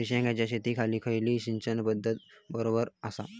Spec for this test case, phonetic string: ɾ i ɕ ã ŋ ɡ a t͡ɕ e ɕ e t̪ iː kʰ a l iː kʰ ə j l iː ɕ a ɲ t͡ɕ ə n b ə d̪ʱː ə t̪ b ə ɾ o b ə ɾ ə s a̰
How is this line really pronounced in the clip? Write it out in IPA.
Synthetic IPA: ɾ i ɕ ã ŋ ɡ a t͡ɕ a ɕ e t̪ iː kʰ a l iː kʰ ə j l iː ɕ i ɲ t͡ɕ ə n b ə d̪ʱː ə t̪ b ə ɾ o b ə ɾ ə s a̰